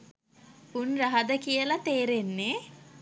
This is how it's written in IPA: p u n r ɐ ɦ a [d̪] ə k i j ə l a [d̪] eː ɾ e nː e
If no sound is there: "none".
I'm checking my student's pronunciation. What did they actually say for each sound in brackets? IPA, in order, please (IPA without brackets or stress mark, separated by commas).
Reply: d̪, t̪